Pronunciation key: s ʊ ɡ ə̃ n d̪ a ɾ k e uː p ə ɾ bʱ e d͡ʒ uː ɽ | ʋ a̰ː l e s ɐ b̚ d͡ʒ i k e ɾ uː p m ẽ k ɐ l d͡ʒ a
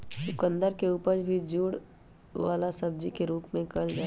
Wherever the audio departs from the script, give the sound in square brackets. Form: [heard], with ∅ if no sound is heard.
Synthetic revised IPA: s ʊ [k] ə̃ n d̪ [ə] ɾ k e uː p ə ɾ bʱ [i] d͡ʒ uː ɽ | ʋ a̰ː l [a] s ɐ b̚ d͡ʒ i k e ɾ uː p m ẽ k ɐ l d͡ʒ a

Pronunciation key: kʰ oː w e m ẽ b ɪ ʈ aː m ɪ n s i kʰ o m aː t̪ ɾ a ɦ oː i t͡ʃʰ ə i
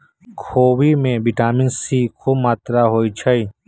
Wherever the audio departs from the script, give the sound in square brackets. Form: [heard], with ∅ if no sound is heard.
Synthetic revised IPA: kʰ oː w [i] m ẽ b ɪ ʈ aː m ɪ n s i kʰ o m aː t̪ ɾ a ɦ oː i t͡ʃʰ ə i

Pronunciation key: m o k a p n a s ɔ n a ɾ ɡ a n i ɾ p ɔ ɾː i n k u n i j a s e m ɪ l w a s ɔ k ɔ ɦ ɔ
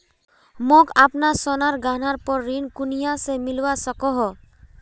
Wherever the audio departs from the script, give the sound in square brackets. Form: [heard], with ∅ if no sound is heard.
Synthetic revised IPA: m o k a p n a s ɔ n a ɾ ɡ a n [a] ɾ p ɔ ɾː i n k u n i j a s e m [i] l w a s ɔ k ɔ ɦ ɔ

